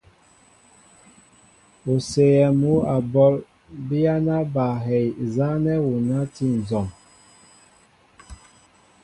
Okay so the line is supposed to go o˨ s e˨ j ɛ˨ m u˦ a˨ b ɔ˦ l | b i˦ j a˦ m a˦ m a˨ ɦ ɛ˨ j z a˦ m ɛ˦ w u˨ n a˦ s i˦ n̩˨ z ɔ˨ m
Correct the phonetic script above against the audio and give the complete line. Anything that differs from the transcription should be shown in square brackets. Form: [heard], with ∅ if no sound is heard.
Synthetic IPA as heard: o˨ s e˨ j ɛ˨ m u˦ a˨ b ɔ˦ l | b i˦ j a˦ [n] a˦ [b] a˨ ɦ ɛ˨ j z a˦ [n] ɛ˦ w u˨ n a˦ [t] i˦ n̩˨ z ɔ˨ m